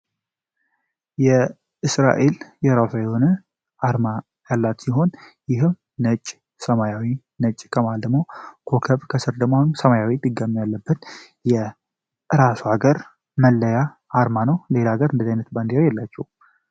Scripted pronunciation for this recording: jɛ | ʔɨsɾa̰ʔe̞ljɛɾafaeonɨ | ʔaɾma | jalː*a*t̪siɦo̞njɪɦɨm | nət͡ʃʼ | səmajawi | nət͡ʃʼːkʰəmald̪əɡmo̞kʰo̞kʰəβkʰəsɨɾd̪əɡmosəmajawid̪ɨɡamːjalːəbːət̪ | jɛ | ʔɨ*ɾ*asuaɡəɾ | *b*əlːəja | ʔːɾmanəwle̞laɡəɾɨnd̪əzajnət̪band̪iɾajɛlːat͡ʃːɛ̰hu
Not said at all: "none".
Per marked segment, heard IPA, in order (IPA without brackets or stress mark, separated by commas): a, ɾ, m